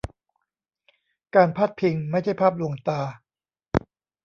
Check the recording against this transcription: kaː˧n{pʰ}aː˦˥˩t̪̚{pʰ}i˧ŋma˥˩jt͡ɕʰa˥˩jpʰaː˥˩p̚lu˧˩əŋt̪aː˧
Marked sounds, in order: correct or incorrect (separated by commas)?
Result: correct, correct